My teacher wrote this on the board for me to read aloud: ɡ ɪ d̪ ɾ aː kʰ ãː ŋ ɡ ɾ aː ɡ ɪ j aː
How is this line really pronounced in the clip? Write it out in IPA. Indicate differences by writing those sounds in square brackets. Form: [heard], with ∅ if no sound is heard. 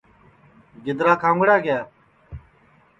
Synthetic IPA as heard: ɡ ɪ d̪ ɾ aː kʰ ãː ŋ ɡ [ɽ] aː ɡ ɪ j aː